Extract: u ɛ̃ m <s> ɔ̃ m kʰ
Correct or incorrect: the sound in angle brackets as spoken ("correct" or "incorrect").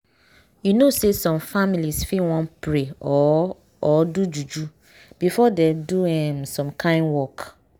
correct